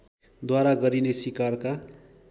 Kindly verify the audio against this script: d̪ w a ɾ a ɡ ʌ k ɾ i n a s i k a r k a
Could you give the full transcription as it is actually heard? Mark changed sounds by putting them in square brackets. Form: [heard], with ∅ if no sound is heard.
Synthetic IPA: d̪ w a ɾ a ɡ ʌ [∅] ɾ i n [e] s i k a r k a